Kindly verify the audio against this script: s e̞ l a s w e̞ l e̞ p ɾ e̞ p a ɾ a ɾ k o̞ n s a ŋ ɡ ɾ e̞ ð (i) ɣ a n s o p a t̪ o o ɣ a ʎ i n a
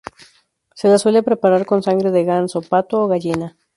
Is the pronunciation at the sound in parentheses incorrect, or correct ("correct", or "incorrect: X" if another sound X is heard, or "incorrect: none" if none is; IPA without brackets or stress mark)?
incorrect: e